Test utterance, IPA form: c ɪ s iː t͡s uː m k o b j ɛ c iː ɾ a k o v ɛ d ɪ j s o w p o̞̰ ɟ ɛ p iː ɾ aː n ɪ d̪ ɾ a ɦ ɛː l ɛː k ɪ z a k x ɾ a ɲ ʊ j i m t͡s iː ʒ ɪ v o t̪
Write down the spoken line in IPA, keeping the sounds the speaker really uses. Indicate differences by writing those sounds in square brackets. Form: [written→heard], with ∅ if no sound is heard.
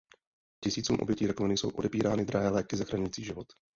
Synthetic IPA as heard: c ɪ s iː t͡s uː m [k→ʔ] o b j ɛ c iː ɾ a k o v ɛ [d→n] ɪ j s o w [p→ʔ] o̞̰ [ɟ→d] ɛ p iː ɾ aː n ɪ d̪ ɾ a ɦ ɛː l ɛː k ɪ z a [k→∅] x ɾ a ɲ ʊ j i [m→∅] t͡s iː ʒ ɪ v o t̪